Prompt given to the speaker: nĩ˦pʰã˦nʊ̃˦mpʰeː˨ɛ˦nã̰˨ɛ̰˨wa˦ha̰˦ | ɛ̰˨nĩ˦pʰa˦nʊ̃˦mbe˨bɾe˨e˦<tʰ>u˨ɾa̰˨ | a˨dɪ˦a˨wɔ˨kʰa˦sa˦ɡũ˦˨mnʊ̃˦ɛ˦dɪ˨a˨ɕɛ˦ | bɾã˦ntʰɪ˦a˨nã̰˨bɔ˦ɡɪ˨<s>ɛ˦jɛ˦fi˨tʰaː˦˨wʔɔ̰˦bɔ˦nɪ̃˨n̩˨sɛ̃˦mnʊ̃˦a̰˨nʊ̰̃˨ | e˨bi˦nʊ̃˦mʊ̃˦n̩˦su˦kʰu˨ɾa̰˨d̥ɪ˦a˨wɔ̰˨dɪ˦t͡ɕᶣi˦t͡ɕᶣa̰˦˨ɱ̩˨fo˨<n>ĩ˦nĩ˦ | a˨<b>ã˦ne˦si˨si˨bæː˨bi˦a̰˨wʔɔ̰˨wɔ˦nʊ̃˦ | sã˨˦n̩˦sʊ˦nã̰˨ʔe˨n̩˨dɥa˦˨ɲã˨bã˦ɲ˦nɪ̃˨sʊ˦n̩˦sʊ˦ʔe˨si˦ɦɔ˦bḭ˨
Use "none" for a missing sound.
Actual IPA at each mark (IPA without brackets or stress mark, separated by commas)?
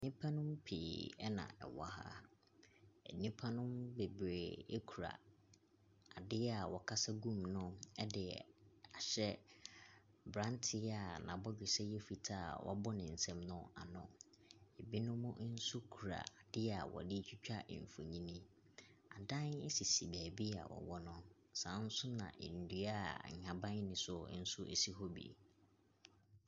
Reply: kʰ, s, ɲ, d